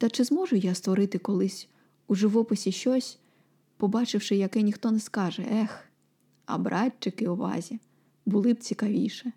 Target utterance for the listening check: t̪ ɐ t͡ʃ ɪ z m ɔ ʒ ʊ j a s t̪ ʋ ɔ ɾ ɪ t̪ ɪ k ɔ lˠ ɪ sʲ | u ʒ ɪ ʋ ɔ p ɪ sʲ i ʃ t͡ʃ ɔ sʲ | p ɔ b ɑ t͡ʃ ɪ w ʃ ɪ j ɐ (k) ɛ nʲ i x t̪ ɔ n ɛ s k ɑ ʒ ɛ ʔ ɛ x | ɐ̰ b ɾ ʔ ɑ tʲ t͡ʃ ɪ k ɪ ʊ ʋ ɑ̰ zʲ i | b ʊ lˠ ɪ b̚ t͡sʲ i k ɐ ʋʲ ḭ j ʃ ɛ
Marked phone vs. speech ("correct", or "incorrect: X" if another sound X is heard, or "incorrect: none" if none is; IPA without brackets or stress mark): correct